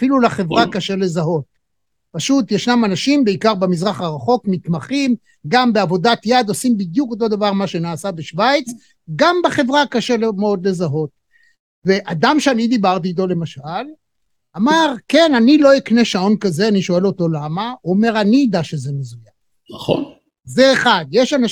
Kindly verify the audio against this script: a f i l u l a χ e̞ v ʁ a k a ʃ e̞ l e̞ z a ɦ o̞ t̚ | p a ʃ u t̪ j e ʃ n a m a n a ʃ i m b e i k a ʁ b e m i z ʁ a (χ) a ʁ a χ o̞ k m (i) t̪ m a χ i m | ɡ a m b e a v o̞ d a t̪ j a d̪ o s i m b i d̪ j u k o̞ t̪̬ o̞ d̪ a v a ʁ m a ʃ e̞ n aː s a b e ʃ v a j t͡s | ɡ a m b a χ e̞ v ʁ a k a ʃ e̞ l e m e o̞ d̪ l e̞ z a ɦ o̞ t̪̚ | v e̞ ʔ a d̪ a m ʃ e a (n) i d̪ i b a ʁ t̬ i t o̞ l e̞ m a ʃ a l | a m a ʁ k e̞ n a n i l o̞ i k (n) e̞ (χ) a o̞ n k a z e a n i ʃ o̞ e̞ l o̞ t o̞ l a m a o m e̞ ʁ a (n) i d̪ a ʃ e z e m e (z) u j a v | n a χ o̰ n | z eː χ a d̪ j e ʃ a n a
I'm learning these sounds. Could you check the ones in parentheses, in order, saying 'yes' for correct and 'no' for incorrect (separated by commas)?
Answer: yes, yes, yes, yes, no, yes, yes